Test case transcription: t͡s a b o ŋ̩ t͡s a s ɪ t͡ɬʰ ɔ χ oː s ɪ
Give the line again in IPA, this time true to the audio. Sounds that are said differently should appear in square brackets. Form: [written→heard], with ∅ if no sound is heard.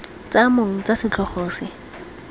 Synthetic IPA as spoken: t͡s a [b→m] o ŋ̩ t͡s a s ɪ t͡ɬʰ ɔ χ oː s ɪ